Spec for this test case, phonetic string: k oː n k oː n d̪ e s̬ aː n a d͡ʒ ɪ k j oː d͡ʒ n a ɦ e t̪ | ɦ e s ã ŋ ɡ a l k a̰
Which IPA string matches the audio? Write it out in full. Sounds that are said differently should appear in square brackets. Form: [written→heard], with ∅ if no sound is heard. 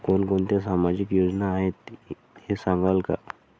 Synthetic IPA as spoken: k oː n k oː n [d̪→t̪] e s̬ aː [n→m] a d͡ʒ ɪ k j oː d͡ʒ n a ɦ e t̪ | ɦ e s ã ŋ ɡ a l k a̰